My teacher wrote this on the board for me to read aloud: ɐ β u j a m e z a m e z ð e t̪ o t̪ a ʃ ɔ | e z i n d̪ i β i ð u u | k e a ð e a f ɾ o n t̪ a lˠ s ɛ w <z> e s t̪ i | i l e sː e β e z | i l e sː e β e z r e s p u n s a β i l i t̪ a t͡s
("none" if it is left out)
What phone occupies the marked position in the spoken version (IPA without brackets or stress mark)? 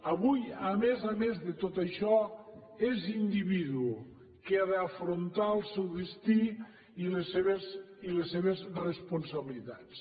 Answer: ð